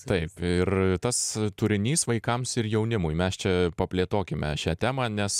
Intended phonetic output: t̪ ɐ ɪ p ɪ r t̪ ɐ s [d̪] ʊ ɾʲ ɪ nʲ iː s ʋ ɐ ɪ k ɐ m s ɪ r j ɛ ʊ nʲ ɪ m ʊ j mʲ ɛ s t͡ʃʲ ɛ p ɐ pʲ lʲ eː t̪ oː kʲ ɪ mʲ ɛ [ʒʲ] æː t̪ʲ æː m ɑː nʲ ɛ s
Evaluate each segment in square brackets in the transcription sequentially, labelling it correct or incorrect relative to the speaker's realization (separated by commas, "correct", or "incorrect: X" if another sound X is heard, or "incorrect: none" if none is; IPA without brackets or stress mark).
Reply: incorrect: t̪, incorrect: ʃʲ